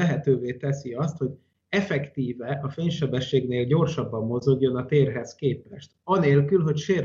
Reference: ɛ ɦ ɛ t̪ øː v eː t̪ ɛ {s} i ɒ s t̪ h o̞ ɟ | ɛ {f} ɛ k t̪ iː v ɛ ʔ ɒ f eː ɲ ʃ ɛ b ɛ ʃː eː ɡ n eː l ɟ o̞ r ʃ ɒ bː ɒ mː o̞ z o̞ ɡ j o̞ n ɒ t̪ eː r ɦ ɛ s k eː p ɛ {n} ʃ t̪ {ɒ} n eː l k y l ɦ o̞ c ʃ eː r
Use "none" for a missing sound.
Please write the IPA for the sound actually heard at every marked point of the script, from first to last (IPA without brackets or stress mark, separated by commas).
s, f, none, ɒ